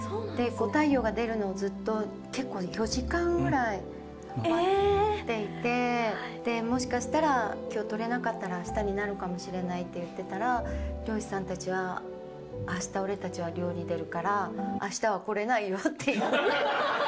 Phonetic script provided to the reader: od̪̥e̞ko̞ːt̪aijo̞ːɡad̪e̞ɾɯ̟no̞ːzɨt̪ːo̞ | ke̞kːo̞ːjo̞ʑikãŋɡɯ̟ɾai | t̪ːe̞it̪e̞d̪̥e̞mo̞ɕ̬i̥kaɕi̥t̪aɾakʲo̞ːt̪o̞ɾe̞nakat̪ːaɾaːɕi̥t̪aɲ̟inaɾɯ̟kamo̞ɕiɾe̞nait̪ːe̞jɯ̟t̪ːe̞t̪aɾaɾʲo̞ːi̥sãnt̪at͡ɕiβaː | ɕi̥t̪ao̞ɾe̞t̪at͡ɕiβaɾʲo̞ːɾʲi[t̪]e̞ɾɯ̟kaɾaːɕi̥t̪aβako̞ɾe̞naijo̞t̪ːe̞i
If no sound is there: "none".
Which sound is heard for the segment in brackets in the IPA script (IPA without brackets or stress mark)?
d̪